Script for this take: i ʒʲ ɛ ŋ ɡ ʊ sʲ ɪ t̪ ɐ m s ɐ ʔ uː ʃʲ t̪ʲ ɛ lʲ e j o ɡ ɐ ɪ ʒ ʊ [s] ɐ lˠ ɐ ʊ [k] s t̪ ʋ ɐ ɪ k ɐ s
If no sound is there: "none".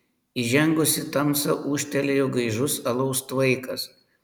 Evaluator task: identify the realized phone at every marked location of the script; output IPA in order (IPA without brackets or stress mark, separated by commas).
s, none